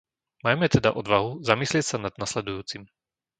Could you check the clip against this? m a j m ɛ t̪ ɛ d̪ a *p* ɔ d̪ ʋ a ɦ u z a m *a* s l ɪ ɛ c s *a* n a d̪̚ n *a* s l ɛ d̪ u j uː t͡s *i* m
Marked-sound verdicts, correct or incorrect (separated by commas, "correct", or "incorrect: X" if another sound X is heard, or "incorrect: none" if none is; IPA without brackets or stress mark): incorrect: ʔ, incorrect: i, correct, correct, correct